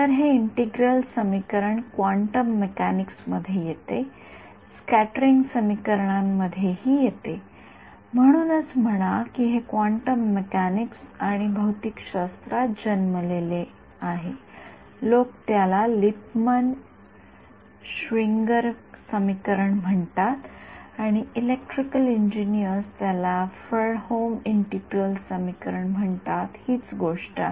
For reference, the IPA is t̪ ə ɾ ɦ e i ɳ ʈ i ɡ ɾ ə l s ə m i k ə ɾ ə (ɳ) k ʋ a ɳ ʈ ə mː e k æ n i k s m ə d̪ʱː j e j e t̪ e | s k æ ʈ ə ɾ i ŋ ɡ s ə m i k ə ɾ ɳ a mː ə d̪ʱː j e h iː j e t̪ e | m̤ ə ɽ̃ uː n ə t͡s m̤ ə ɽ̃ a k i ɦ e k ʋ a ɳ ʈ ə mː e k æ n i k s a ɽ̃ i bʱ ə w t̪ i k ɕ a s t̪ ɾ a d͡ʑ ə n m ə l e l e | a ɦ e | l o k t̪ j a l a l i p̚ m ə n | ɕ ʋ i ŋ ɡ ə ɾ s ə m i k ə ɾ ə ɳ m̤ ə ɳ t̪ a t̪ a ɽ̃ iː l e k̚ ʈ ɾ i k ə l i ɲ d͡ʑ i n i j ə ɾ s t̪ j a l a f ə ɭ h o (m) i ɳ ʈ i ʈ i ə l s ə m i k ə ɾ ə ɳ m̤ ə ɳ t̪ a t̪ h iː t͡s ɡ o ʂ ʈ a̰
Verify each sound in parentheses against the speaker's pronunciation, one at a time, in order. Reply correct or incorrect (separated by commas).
correct, correct